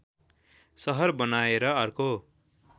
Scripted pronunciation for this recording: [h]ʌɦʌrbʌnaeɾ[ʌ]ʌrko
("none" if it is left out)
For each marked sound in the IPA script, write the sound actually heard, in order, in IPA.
s, ʌ

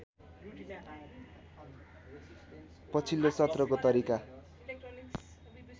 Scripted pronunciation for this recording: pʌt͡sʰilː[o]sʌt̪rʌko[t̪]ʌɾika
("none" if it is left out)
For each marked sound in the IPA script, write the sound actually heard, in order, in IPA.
o, t̪

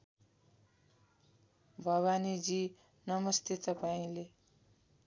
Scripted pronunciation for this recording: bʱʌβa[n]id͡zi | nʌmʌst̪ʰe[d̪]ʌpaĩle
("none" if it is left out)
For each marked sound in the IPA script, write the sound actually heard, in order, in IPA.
n, t̪

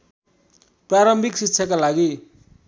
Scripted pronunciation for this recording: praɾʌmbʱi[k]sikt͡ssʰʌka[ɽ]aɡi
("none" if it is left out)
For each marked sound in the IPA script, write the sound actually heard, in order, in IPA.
k, l

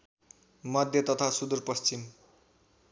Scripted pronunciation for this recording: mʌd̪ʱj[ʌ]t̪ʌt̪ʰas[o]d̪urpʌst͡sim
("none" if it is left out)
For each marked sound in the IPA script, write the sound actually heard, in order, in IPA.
ʌ, u

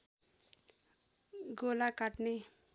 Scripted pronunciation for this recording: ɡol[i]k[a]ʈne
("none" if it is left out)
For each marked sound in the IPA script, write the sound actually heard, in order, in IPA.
a, a

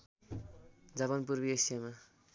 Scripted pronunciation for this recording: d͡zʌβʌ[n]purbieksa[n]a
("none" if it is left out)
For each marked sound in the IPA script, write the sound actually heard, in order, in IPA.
n, m

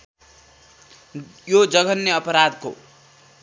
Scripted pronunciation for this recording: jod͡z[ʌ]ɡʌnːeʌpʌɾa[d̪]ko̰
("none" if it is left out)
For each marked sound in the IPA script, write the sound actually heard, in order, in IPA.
ʌ, d̪

